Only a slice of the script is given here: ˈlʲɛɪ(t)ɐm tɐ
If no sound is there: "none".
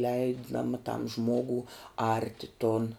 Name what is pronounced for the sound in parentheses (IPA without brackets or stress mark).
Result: d